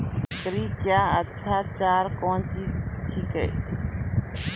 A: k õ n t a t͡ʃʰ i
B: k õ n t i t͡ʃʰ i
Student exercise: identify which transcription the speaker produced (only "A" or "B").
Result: B